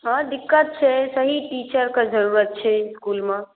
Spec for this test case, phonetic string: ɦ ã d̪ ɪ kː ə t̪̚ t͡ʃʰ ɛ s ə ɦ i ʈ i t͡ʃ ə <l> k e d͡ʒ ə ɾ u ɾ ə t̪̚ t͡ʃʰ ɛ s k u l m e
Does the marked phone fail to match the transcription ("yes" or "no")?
yes